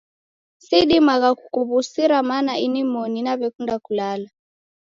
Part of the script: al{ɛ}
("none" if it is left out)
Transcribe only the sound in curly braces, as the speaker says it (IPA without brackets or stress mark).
a